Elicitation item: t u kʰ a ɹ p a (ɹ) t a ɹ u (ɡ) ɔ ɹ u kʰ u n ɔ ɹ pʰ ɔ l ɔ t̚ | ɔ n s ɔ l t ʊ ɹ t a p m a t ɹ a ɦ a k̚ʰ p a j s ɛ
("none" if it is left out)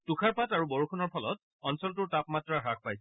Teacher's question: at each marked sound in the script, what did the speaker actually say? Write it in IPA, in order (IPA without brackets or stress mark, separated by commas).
none, b